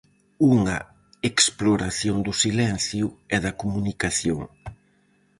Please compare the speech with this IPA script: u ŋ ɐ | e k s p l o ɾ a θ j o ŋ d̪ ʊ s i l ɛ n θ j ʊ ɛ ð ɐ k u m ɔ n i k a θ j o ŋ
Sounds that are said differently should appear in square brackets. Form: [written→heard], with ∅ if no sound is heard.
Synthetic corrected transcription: u ŋ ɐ | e k s p l o ɾ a θ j o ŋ d̪ ʊ s i l ɛ n θ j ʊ ɛ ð ɐ k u m [ɔ→u] n i k a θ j o ŋ